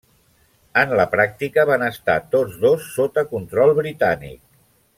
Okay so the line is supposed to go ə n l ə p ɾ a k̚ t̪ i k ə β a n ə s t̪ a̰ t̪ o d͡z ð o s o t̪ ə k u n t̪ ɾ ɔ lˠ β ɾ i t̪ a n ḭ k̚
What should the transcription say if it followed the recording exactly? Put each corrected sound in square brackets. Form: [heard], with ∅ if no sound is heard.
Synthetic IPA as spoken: ə n l ə p ɾ a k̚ t̪ i k ə β a n ə s t̪ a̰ t̪ o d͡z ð o [sː] o t̪ ə k u n t̪ ɾ ɔ lˠ β ɾ i t̪ a n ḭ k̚